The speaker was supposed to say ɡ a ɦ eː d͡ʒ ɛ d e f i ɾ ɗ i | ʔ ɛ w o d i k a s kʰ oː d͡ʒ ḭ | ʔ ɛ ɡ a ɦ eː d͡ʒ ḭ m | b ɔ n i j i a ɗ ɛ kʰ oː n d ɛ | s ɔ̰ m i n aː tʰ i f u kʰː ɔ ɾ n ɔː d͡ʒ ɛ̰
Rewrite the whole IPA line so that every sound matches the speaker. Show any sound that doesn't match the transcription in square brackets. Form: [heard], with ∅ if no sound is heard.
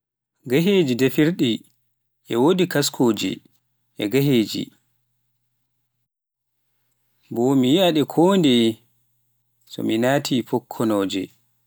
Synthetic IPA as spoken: ɡ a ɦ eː d͡ʒ [i] d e f i ɾ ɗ i | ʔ ɛ w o d i k a s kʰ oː d͡ʒ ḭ | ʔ ɛ ɡ a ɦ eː d͡ʒ ḭ [∅] | b ɔ [m] i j i a ɗ ɛ kʰ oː n d ɛ | s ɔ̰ m i n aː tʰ i f [ɔ] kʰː ɔ [∅] n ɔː d͡ʒ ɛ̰